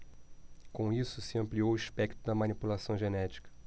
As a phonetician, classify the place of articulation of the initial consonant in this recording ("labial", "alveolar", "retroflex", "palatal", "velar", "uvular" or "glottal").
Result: velar